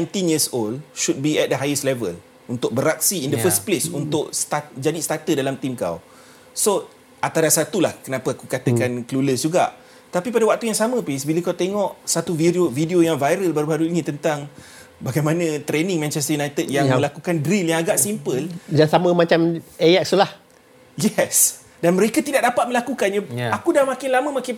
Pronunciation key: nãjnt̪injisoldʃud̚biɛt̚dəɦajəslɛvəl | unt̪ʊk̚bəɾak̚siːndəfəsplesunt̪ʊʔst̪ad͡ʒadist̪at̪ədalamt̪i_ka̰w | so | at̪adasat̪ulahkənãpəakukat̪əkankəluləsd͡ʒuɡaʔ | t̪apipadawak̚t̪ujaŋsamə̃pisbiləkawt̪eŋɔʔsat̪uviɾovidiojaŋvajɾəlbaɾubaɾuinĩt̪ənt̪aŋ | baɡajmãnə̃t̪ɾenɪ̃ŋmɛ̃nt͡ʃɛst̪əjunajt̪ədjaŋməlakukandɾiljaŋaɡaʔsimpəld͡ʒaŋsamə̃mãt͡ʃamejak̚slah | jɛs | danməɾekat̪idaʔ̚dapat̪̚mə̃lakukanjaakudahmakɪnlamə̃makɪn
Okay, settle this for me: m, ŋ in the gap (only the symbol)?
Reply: m